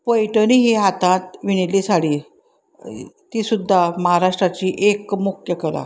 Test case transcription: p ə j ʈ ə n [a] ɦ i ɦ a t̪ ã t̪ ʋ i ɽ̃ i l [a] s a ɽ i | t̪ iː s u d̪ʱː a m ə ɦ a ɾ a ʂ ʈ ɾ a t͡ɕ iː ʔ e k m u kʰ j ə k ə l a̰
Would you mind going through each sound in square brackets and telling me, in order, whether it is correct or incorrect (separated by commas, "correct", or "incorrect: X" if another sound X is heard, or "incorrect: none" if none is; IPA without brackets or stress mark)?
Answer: incorrect: i, incorrect: i